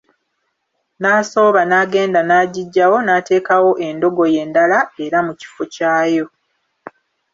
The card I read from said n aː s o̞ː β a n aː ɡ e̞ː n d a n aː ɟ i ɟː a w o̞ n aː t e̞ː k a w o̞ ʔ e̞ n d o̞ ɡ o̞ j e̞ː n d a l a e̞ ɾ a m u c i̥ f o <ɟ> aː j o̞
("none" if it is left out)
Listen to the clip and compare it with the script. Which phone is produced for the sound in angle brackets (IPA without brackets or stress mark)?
c